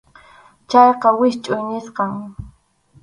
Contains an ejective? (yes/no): yes